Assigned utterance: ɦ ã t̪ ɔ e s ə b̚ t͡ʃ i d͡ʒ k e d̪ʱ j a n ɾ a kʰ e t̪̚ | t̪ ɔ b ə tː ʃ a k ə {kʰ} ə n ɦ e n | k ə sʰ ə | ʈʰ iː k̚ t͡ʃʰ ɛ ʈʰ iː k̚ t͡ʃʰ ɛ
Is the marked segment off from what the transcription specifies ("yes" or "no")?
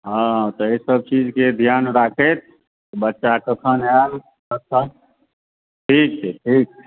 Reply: no